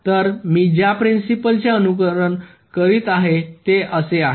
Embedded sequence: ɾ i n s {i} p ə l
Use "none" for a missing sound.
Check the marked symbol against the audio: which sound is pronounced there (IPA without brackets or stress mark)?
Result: i